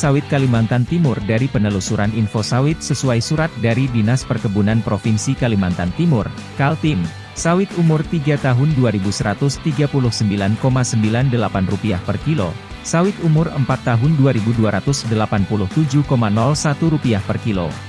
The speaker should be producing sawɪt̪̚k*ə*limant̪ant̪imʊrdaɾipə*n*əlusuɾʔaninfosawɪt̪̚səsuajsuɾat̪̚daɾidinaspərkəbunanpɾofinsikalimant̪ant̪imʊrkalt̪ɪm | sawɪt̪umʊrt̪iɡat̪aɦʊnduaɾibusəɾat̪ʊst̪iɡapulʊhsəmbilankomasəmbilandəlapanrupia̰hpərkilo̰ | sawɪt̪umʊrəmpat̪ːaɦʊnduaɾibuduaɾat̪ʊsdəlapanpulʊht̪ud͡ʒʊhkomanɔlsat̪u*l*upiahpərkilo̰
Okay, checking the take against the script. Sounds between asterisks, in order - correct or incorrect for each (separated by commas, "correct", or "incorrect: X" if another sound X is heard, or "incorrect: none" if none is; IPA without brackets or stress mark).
incorrect: a, correct, incorrect: ɾ